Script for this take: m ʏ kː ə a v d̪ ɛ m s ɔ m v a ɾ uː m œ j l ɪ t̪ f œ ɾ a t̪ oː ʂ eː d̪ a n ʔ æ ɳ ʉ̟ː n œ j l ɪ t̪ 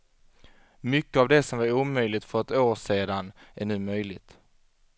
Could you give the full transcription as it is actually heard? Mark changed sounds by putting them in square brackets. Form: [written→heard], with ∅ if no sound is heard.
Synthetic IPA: m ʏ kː ə a v d̪ ɛ [m→∅] s ɔ m v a ɾ uː m œ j l ɪ t̪ f œ ɾ [a→ɛ] t̪ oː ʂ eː d̪ a n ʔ æ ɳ ʉ̟ː [n→m] œ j l ɪ t̪